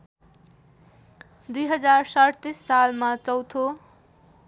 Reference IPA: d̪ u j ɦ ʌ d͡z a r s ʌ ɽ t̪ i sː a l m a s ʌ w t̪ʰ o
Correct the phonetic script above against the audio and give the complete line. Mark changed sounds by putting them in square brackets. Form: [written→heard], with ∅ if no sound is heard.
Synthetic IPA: d̪ u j ɦ ʌ d͡z a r s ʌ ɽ t̪ i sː a l m a [s→t͡s] ʌ w t̪ʰ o